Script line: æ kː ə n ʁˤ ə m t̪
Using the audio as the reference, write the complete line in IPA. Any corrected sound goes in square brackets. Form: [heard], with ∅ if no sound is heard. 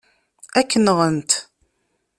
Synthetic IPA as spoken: æ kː ə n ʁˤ ə [n] t̪